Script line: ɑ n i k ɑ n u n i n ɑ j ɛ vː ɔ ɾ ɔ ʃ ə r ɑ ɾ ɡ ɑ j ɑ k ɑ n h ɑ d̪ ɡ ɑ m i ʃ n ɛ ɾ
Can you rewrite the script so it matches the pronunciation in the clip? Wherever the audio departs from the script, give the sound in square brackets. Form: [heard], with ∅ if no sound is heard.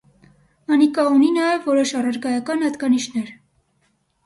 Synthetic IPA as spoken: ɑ n i k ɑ [∅] u n i n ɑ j ɛ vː ɔ ɾ ɔ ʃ [ɑ] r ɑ ɾ ɡ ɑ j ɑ k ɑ n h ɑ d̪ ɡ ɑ [n] i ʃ n ɛ ɾ